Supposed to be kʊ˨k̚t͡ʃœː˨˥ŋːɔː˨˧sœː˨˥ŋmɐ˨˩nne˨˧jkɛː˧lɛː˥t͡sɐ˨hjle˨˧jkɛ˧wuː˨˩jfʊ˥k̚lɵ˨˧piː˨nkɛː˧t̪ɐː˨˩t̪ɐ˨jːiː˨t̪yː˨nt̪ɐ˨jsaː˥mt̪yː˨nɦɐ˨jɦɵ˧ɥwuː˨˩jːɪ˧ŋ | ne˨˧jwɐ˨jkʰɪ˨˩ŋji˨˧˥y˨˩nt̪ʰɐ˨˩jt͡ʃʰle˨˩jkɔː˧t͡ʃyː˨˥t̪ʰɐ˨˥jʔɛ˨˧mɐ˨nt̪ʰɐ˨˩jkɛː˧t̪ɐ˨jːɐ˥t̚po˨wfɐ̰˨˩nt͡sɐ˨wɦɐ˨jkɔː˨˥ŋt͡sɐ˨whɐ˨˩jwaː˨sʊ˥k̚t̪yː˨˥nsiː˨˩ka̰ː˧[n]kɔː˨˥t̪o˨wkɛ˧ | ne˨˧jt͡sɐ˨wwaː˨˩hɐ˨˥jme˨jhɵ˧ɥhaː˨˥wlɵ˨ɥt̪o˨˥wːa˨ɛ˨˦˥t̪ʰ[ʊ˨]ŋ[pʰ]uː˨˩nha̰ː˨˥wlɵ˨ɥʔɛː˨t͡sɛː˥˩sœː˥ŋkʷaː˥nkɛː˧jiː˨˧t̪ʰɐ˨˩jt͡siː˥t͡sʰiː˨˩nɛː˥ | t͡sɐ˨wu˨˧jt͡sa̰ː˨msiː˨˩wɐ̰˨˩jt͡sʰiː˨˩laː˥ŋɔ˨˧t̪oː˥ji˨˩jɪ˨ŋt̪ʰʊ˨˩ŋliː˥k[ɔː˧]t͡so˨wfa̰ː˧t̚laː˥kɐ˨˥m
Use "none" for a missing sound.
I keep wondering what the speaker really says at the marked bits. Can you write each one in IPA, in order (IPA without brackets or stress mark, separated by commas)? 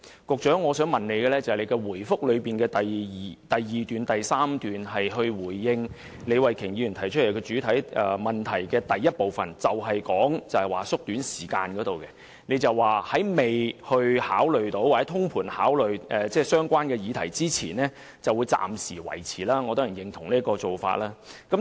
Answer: n, ʊ˥, pʰ, ɔː˧